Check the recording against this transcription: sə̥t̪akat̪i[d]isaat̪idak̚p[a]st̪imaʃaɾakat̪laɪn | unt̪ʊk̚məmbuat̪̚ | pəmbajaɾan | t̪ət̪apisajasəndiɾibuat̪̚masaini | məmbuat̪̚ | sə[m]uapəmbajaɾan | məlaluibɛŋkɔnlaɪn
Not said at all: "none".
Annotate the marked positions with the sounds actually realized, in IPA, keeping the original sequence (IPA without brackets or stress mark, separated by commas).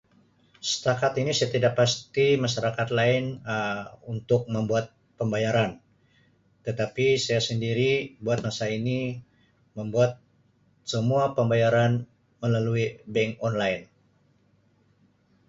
n, a, m